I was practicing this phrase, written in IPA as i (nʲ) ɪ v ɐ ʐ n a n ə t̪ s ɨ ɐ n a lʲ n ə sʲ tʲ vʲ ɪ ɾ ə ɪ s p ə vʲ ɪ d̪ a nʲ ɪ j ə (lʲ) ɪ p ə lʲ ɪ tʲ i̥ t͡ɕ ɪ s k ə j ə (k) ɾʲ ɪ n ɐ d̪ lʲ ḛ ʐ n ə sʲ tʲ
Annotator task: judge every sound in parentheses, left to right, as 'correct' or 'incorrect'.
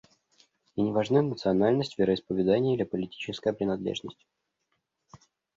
correct, correct, incorrect: p

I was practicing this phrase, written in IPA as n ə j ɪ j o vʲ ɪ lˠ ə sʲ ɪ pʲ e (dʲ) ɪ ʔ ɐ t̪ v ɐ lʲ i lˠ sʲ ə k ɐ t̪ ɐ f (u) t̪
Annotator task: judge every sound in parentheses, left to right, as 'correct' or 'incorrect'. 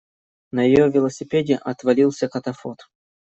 correct, incorrect: o

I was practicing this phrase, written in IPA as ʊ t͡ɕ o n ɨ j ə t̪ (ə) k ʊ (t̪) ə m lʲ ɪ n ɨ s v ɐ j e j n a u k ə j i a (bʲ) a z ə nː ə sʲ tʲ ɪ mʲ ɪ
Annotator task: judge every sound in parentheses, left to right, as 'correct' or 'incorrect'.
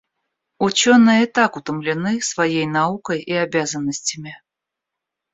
incorrect: a, correct, correct

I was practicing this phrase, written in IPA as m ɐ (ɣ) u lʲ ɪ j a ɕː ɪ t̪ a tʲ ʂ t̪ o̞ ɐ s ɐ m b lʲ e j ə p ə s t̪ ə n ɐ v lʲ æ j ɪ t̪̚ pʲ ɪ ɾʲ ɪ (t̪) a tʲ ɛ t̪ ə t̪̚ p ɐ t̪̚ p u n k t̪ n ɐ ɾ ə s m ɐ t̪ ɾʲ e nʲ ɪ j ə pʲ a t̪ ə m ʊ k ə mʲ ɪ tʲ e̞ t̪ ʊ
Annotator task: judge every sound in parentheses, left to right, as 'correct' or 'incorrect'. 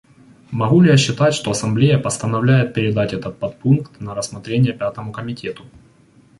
correct, incorrect: d̪

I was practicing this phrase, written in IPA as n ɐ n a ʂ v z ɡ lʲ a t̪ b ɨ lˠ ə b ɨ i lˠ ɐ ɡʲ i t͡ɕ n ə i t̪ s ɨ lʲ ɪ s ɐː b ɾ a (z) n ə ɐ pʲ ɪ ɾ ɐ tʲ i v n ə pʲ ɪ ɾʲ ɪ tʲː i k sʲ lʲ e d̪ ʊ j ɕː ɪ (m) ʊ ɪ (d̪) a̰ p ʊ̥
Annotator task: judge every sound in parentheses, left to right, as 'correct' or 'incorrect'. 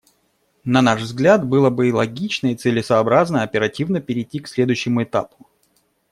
correct, correct, incorrect: t̪

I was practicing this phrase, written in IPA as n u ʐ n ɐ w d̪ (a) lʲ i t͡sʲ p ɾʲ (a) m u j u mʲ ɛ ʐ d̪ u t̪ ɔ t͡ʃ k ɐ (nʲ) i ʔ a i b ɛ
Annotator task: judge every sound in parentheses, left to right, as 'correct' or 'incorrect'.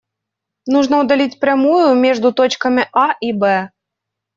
correct, correct, incorrect: mʲ

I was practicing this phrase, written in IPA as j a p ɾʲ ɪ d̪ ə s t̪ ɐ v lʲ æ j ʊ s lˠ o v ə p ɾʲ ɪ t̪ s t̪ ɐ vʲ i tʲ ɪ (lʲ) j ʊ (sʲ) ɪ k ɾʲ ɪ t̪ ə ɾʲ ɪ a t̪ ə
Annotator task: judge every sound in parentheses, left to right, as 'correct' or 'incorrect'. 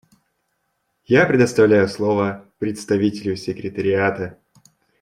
correct, correct

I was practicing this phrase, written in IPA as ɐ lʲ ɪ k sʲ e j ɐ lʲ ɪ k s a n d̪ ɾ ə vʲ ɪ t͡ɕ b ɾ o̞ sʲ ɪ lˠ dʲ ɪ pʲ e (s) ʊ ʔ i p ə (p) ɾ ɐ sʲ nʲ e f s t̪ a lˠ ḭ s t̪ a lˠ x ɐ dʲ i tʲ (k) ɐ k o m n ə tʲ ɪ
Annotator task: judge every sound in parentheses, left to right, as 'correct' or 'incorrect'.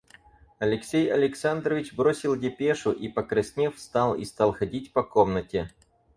incorrect: ʂ, incorrect: k, incorrect: p

